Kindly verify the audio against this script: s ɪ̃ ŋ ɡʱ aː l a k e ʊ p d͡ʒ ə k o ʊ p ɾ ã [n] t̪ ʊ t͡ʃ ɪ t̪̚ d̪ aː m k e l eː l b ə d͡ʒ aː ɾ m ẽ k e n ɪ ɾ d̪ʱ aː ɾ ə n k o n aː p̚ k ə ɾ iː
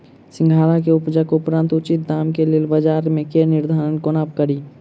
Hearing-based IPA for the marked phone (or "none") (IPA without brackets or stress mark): n